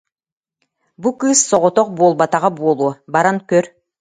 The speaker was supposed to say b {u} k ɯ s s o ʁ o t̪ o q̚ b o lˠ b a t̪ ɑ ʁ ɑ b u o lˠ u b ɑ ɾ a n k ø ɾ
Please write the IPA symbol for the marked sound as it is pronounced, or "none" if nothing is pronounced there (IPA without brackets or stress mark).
u